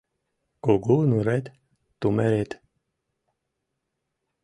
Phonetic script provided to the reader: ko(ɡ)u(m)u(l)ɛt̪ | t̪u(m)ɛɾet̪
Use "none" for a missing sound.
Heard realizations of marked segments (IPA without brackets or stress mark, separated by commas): ɡ, n, ɾ, m